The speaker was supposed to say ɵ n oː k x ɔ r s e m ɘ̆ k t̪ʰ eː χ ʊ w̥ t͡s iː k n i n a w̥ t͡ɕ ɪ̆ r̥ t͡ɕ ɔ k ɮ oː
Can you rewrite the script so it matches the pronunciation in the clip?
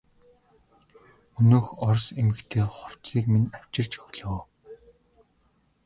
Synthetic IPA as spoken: ɵ n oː x ɔ r s e m ɘ̆ k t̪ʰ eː χ ʊ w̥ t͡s iː k m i n a w̥ t͡ɕ ɪ̆ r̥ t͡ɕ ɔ x ɮ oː